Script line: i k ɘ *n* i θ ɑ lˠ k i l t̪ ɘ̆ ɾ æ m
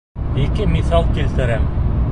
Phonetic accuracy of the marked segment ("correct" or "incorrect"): incorrect